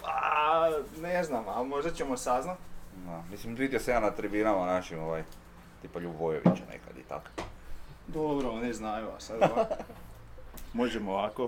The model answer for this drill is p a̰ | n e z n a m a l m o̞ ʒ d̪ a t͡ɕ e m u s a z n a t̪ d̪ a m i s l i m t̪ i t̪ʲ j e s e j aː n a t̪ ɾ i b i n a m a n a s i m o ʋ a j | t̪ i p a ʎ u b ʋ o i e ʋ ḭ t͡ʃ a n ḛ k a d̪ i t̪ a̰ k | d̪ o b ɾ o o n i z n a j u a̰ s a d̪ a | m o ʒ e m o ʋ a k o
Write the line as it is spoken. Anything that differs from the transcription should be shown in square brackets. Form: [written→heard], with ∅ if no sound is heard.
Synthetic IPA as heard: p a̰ | n e z n a m a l m o̞ ʒ d̪ a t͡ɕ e m [u→o] s a z n a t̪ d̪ a m i s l i m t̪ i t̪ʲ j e s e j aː n a t̪ ɾ i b i n a m a n a [s→ʃ] i m o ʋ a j | t̪ i p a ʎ u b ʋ o [i→j] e ʋ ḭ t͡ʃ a n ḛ k a d̪ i t̪ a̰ k | d̪ o b ɾ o o n i z n a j u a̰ s a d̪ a | m o ʒ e m o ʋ a k o